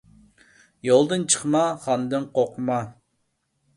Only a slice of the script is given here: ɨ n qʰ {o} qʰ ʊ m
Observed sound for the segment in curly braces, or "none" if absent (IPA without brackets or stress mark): o